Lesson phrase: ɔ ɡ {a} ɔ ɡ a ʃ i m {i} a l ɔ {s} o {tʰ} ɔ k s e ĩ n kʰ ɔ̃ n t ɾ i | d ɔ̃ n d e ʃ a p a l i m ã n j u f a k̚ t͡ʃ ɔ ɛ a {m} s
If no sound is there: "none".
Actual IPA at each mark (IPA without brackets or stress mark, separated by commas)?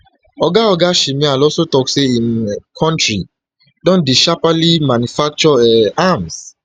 a, ĩ, s, t, m